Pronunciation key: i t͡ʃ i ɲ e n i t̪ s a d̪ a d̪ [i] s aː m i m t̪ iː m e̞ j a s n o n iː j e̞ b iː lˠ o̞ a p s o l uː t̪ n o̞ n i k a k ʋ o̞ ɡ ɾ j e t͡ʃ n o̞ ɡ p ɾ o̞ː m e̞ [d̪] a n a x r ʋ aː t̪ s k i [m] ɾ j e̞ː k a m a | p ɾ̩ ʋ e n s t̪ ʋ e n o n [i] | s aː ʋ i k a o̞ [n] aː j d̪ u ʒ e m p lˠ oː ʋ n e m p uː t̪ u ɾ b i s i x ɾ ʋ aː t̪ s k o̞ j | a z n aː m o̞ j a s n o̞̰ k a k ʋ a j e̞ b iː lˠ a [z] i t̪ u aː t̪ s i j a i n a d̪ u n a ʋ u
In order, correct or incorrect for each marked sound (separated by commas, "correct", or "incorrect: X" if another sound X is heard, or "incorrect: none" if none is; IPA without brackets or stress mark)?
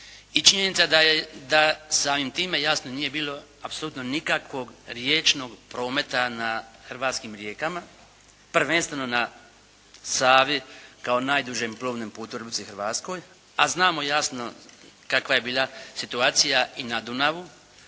incorrect: a, incorrect: t̪, correct, incorrect: a, correct, incorrect: s